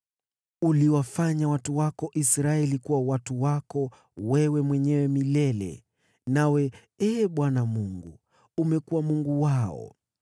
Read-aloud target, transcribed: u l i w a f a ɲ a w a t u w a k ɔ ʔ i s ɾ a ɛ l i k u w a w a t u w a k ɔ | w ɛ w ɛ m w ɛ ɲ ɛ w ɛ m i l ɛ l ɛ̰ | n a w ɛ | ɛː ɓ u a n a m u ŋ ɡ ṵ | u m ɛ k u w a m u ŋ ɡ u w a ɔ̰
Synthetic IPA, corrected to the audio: u l i w a f a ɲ a w a t u w a k ɔ ʔ i s ɾ a ɛ l i k u w a w a t u w a k ɔ | w ɛ w ɛ m w ɛ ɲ ɛ w ɛ m i l ɛ l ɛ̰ | n a w ɛ | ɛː ɓ w a n a m u ŋ ɡ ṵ | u m ɛ k u w a m u ŋ ɡ u w a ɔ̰